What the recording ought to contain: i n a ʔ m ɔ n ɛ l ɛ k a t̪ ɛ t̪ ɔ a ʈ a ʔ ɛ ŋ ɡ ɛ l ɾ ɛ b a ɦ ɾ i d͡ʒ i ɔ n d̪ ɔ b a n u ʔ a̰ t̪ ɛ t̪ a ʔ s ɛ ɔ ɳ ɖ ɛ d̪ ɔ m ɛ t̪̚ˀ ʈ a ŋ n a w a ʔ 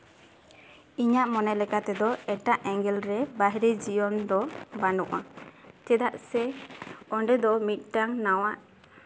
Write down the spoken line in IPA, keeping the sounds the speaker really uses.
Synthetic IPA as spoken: i ɲ a ʔ m ɔ n ɛ l ɛ k a t̪ ɛ d̪ ɔ ɛ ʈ a ʔ ɛ ŋ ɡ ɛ l ɾ ɛ b a ɦ ɾ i d͡ʒ i ɔ n d̪ ɔ b a n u ʔ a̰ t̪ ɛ d̪ a ʔ s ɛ ɔ ɳ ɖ ɛ d̪ ɔ m i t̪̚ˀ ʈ a ŋ n a w a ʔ